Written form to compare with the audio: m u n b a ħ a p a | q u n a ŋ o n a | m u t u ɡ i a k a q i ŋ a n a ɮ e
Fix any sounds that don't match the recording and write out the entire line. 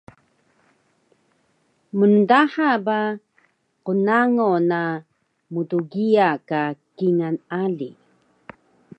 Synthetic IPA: m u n d a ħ a b a | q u n a ŋ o n a | m u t u ɡ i a k a k i ŋ a n a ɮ i